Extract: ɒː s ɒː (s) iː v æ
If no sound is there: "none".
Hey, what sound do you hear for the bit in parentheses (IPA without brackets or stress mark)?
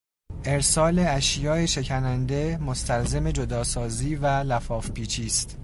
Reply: z